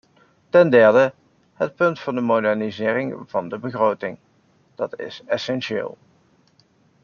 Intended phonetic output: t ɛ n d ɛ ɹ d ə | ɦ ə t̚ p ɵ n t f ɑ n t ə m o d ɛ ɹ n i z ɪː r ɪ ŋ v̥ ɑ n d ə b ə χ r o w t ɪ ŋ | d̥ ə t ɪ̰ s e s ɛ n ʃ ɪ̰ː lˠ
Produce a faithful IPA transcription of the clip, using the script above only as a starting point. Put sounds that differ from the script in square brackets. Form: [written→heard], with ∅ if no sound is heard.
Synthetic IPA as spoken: t ɛ n d ɛ ɹ d ə | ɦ ə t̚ p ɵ n t f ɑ n [t→d] ə m o d ɛ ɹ n i z ɪː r ɪ ŋ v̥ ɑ n d ə b ə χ r o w t ɪ ŋ | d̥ [ə→ɑ] t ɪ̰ s [e→ɛ] s ɛ n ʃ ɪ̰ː lˠ

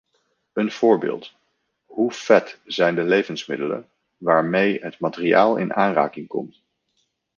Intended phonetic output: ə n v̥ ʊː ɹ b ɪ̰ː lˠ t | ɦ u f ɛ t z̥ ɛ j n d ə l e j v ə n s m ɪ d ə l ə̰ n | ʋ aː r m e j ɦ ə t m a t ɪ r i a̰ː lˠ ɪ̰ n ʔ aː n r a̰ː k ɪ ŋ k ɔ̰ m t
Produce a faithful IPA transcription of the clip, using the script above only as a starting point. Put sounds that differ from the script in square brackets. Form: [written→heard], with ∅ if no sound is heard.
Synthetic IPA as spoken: ə n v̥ ʊː ɹ b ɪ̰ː lˠ t | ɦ u f ɛ t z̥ ɛ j n d ə l e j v ə n s m ɪ d ə l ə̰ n | ʋ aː [r→ɹ] m e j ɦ ə t m a t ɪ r i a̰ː lˠ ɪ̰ n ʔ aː n r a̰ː k ɪ ŋ k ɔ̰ m t

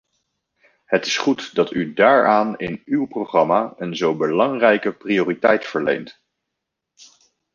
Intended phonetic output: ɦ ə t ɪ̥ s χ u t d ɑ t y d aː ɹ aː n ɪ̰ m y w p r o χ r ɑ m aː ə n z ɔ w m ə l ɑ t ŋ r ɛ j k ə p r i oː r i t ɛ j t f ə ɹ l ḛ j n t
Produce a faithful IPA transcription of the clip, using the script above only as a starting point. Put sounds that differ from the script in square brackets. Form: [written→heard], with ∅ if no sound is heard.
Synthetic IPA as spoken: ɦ ə t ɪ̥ s χ u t d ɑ t y d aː ɹ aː n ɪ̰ [m→n] y w p r o χ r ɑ m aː ə n z [ɔ→o] w [m→b] ə l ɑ [t→∅] ŋ r ɛ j k ə p r i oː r i t ɛ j t f ə ɹ l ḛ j n t

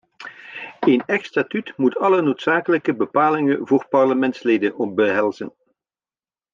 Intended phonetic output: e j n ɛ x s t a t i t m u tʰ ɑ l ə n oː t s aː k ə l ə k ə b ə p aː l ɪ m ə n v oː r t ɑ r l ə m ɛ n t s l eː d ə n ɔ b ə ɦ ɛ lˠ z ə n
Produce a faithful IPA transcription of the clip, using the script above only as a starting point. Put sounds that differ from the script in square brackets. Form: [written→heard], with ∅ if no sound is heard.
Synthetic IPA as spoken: e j n ɛ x s t a t [i→y] t m u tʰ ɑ l ə n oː t s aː k ə l ə k ə b ə p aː l ɪ [m→ŋ] ə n v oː r [t→p] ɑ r l ə m ɛ n t s l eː d ə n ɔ b ə ɦ ɛ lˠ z ə n

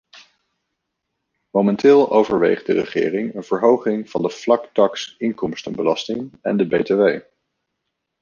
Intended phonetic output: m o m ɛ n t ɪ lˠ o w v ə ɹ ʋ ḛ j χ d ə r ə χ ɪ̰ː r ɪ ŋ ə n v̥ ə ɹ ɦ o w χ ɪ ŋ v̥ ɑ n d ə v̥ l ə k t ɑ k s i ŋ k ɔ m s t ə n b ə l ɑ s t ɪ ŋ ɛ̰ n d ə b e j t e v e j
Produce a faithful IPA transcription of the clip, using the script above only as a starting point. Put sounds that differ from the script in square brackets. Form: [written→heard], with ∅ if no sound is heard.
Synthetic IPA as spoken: m o m ɛ n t [ɪ→ɪː] lˠ o w v ə ɹ ʋ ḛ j χ d ə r ə χ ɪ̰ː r ɪ ŋ ə n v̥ ə ɹ ɦ o w χ ɪ ŋ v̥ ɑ n d ə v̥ l [ə→ɑ] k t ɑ k s [i→ɪ] ŋ k ɔ m s t ə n b ə l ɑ s t ɪ ŋ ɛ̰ n d ə b e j t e [v→ʋ] e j

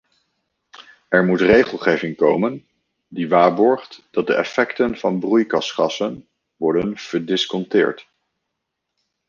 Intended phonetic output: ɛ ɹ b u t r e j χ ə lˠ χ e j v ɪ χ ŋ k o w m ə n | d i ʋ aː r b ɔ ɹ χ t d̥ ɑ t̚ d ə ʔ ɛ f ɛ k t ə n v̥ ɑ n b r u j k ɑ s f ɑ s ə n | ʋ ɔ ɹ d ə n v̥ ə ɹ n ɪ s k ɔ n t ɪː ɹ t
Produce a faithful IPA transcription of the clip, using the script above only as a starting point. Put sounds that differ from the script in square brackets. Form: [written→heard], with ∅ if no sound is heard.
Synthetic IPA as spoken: ɛ ɹ [b→m] u t r e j χ ə lˠ χ e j v ɪ [χ→∅] ŋ k o w m ə n | d i ʋ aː [r→ɹ] b ɔ ɹ χ t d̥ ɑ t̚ d ə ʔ ɛ f ɛ k t ə n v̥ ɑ n b r u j k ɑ s [f→χ] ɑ s ə n | ʋ ɔ ɹ d ə n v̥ ə ɹ [n→d] ɪ s k ɔ n t ɪː ɹ t

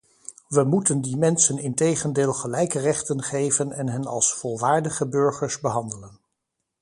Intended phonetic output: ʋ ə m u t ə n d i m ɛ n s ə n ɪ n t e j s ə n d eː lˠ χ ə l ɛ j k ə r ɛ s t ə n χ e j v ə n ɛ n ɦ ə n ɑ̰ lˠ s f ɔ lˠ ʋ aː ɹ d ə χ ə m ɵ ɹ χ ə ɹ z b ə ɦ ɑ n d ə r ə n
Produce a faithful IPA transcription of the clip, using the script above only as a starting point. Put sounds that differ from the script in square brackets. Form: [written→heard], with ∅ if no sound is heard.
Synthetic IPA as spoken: ʋ ə m u t ə n d i m ɛ n s ə n ɪ n t e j [s→χ] ə n d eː lˠ χ ə l ɛ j k ə r ɛ [s→χ] t ə n χ e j v ə n ɛ n ɦ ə n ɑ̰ lˠ s f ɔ lˠ ʋ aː ɹ d ə χ ə [m→b] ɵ ɹ χ ə ɹ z b ə ɦ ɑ n d ə [r→l] ə n

